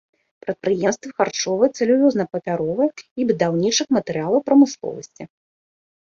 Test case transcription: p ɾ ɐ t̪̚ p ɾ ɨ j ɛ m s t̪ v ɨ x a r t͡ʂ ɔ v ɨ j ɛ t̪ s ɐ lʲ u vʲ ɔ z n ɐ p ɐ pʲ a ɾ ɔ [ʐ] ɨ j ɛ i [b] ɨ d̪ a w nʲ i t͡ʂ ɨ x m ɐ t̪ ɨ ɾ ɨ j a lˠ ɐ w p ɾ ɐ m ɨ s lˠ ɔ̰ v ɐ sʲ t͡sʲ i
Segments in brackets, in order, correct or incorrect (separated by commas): incorrect, correct